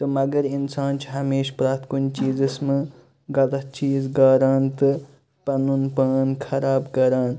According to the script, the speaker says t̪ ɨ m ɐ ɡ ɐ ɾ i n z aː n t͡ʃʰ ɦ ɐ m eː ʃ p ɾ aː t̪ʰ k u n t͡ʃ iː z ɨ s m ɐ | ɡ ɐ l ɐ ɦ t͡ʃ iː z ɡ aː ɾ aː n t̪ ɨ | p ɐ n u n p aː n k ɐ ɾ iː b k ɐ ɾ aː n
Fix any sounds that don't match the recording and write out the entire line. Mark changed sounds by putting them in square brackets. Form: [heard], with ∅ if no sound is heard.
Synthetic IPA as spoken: t̪ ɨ m ɐ ɡ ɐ ɾ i n [s] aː n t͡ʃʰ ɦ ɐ m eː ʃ p ɾ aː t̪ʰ k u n t͡ʃ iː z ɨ s m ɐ | ɡ ɐ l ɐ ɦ t͡ʃ iː z ɡ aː ɾ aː n t̪ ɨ | p ɐ n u n p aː n [kʰ] ɐ ɾ [aː] b k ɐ ɾ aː n